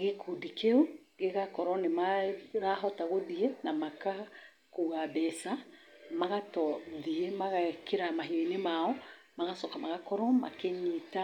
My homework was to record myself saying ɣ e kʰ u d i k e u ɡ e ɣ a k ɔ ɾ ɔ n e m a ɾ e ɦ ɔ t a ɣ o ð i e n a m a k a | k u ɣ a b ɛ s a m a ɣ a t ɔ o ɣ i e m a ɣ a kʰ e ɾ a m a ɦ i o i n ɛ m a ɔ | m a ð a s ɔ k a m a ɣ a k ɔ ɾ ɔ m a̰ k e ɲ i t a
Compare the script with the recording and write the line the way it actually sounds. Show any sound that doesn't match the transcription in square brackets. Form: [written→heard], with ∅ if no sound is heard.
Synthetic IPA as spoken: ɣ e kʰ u d i k e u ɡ e ɣ a k ɔ ɾ ɔ n e m a ɾ [e→a] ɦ ɔ t a ɣ o ð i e n a m a k a | k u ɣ a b ɛ s a m a ɣ a t ɔ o [ɣ→ð] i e m a ɣ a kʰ e ɾ a m a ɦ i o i n [ɛ→e] m a ɔ | m a [ð→ɣ] a s ɔ k a m a ɣ a k ɔ ɾ ɔ m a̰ k e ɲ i t a